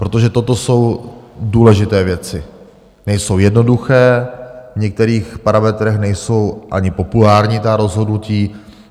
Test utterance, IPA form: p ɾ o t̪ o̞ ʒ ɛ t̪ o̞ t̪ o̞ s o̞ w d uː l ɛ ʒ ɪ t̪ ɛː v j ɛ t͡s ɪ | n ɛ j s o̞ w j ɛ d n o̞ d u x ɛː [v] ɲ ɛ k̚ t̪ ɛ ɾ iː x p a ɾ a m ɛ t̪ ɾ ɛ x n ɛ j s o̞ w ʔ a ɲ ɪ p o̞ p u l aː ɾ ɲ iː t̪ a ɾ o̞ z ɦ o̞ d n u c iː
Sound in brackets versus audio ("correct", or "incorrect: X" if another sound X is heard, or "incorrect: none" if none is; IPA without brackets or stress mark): correct